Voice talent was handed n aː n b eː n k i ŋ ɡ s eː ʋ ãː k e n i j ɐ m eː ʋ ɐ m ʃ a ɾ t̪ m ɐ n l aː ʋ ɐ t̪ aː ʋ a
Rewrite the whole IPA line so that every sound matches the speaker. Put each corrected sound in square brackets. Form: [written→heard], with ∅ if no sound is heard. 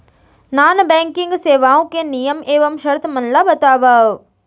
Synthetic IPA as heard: n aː n b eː [n→ŋ] k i ŋ ɡ s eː ʋ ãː k e n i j ɐ m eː ʋ ɐ m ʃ [a→ɐ] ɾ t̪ m ɐ n l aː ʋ ɐ t̪ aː ʋ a